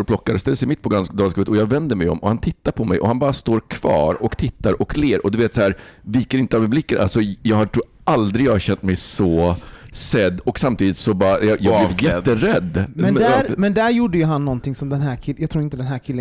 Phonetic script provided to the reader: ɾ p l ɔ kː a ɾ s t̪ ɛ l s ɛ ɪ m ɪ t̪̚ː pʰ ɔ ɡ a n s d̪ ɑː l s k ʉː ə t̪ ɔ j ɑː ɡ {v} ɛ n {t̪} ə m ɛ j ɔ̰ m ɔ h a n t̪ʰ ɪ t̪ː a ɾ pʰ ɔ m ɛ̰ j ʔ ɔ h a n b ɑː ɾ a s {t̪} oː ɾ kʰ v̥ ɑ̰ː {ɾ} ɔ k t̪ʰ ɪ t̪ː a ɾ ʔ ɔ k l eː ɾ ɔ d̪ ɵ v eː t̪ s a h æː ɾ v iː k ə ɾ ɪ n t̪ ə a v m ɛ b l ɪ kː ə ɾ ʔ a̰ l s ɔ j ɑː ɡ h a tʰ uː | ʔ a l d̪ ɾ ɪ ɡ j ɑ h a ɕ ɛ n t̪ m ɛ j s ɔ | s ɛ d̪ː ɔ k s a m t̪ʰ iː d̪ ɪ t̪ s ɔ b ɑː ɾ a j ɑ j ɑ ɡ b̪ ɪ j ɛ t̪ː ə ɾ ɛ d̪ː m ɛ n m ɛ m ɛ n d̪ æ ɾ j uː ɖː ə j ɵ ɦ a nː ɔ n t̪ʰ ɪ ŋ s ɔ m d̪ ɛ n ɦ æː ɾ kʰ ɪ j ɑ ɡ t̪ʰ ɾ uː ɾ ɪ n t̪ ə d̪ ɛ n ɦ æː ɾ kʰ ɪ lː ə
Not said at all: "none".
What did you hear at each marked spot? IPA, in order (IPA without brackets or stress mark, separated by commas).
v, d̪, t̪, ɾ